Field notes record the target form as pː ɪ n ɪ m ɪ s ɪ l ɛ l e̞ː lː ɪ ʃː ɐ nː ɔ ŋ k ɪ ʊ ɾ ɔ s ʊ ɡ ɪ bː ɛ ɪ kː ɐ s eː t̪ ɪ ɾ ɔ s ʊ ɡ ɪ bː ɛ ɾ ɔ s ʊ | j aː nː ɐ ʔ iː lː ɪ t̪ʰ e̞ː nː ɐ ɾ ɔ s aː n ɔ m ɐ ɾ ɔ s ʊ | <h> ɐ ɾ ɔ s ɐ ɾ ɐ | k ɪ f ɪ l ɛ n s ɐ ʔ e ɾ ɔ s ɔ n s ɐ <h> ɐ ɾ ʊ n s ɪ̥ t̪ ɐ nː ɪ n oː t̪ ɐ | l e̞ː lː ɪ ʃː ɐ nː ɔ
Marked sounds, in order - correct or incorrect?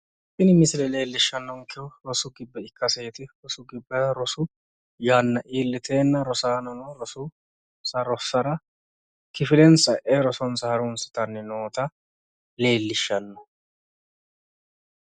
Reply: incorrect, correct

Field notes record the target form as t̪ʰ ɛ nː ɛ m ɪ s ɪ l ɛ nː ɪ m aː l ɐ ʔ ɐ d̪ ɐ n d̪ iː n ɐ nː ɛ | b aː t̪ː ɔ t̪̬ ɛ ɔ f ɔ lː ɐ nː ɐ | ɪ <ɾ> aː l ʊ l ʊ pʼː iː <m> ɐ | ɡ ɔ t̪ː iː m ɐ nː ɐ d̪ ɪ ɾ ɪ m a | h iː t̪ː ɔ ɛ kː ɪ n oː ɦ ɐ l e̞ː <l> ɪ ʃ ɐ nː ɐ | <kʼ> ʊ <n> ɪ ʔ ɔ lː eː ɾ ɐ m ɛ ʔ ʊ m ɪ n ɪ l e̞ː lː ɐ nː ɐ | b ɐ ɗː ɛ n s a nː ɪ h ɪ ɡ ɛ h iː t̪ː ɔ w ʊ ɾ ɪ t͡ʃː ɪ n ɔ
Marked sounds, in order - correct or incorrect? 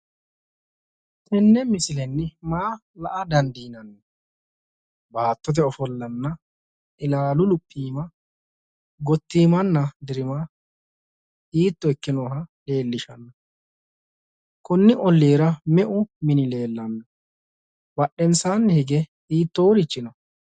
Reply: incorrect, correct, incorrect, incorrect, incorrect

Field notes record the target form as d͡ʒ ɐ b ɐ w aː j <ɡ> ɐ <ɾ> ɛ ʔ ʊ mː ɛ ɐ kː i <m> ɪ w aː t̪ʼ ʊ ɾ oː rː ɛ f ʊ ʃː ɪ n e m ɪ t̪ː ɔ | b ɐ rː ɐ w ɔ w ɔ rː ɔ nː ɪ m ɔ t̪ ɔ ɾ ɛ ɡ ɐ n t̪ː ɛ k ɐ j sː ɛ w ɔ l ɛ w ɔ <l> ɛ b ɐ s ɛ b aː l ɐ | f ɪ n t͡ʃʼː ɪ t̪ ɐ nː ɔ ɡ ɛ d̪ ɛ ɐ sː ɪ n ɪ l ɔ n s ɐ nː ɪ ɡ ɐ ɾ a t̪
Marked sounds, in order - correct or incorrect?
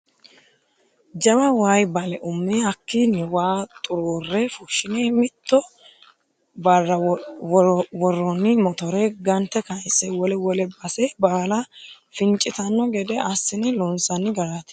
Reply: incorrect, incorrect, incorrect, correct

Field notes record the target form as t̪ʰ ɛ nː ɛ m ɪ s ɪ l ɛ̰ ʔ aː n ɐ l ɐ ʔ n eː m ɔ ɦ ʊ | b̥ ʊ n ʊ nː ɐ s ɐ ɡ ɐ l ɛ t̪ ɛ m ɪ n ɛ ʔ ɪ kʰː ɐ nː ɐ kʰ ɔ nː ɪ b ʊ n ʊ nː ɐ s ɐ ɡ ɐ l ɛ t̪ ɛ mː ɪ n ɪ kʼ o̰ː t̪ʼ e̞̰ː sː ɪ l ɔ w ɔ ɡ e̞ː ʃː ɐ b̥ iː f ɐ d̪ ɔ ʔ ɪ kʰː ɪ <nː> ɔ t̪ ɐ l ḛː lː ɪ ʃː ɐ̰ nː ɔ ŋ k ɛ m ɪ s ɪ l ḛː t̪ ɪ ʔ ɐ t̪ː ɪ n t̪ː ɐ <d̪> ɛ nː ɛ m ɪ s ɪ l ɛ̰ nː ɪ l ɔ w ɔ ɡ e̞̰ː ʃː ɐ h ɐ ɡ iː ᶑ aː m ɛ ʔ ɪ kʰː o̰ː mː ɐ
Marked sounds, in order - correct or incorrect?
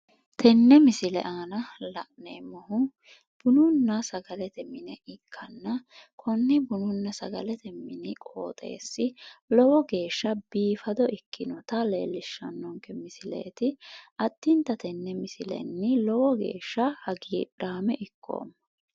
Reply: incorrect, incorrect

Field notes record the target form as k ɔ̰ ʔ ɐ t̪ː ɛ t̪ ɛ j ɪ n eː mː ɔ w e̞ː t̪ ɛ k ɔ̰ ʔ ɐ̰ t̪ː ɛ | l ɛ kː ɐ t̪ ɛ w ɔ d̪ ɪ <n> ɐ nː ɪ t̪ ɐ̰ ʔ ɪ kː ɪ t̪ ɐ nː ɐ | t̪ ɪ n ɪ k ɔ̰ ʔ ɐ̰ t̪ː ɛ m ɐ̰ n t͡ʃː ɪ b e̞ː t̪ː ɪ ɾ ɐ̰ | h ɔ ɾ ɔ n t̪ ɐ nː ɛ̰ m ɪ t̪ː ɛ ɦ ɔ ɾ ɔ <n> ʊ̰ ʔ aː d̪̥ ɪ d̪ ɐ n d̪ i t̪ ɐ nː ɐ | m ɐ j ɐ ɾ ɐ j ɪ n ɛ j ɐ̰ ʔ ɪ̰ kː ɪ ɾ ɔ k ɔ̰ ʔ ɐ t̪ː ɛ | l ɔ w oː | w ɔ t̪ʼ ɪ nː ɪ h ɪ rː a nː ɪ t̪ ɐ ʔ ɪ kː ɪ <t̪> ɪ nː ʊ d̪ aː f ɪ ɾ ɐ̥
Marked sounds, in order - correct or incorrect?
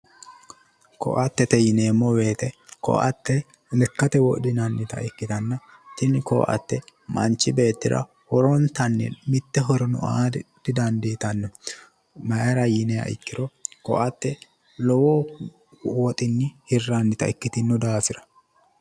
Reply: correct, correct, correct

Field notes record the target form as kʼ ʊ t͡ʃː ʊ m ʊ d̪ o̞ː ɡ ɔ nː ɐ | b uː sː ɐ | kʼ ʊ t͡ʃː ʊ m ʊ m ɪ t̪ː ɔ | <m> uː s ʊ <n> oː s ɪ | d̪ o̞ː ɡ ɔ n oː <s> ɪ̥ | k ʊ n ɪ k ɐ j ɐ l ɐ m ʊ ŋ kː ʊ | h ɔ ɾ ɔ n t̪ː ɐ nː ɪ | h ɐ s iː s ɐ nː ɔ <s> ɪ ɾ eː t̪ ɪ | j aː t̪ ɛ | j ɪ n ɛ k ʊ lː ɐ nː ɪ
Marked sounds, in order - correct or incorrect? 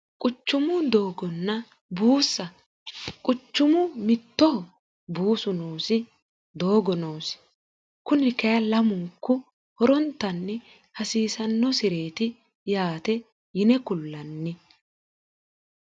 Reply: incorrect, correct, correct, correct

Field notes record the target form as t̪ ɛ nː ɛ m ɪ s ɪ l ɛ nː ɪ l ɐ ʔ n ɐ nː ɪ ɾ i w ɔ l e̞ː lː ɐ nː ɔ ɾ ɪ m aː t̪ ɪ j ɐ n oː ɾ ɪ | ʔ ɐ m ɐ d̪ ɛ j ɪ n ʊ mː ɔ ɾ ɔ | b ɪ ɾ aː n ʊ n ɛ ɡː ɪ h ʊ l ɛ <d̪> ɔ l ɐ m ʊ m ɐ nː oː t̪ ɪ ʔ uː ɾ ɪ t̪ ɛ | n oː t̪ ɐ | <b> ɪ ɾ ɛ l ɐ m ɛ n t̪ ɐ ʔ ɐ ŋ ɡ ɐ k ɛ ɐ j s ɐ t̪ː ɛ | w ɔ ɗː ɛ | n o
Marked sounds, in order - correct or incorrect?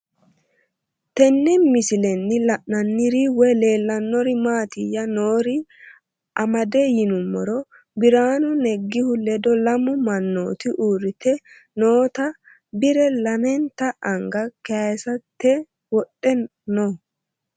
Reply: correct, correct

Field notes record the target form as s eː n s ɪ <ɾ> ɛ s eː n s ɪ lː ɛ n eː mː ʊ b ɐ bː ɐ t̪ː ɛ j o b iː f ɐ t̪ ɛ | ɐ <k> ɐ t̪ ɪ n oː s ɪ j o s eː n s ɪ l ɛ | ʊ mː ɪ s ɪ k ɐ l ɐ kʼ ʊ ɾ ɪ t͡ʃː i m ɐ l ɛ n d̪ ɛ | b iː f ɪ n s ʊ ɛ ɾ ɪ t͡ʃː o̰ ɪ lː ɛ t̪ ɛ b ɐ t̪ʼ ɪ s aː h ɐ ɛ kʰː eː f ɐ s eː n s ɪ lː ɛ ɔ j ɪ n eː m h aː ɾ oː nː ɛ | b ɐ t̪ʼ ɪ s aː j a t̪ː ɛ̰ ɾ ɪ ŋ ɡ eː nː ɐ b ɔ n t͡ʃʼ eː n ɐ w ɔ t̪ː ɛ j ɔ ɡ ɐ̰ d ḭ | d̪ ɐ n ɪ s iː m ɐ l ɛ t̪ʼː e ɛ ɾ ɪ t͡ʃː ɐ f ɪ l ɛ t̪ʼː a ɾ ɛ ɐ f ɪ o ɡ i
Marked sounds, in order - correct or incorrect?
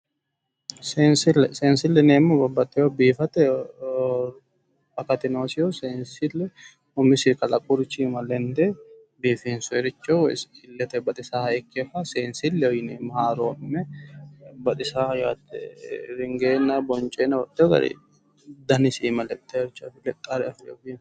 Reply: incorrect, correct

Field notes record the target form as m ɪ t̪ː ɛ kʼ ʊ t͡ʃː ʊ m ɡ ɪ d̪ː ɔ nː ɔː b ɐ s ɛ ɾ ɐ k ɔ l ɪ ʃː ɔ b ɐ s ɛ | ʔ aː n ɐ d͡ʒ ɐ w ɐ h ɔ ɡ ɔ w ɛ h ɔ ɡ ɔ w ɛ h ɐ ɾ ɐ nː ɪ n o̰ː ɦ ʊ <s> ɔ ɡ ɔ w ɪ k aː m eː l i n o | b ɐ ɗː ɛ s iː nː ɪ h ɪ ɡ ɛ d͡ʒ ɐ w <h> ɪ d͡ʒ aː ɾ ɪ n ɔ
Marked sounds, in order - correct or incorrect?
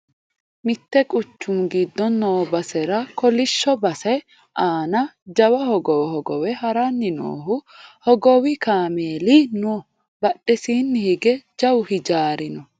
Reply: incorrect, correct

